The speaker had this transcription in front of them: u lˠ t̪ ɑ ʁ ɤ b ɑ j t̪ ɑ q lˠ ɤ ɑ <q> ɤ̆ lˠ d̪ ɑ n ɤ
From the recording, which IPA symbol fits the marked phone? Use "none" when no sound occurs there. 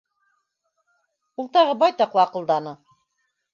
q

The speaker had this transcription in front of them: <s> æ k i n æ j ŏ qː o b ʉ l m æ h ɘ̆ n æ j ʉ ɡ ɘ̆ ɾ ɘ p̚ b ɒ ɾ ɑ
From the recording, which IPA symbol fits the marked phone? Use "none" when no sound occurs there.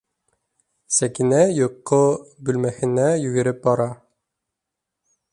s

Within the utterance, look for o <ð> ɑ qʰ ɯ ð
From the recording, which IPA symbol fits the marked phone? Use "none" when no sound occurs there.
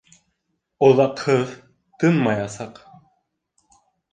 ð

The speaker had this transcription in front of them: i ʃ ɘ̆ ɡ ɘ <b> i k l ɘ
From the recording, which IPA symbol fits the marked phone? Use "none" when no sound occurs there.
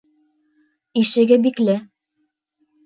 b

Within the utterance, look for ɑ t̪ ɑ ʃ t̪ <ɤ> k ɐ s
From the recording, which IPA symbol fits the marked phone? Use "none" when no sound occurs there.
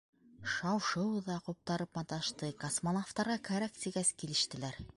ɤ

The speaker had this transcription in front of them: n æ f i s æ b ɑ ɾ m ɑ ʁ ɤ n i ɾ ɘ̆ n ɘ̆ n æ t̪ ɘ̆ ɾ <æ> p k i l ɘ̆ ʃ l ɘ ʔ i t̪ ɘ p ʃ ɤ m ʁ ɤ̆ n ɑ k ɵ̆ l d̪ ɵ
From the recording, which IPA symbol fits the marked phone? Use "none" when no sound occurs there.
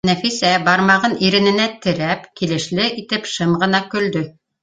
æ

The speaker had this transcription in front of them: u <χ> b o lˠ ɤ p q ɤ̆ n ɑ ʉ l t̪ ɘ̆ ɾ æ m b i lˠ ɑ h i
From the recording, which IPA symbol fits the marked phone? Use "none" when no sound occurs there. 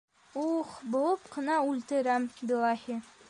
χ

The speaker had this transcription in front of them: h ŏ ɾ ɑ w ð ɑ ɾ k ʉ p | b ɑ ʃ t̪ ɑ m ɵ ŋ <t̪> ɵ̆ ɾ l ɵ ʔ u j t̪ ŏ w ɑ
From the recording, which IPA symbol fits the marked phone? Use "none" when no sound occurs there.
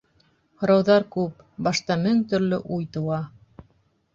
t̪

